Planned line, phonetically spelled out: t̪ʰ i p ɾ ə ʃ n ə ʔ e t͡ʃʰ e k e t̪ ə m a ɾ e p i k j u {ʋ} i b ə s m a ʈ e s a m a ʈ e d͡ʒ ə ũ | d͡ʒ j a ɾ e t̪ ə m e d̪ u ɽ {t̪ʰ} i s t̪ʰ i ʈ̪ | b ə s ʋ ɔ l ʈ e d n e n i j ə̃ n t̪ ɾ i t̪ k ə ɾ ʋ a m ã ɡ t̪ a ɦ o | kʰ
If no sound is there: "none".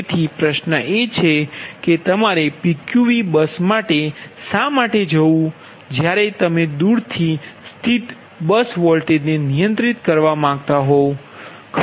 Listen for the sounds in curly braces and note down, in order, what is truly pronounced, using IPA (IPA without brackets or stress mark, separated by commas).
ʋ, t̪ʰ